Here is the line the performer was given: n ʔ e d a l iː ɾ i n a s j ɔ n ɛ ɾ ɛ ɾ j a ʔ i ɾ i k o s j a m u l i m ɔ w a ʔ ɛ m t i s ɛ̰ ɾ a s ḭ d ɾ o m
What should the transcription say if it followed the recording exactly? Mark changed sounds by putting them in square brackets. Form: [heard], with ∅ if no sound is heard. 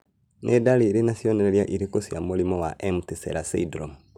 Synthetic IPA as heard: n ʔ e d a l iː ɾ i n a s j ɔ n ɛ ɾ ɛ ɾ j a ʔ i ɾ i k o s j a m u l i m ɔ w a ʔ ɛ m t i s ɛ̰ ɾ a s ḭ d ɾ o m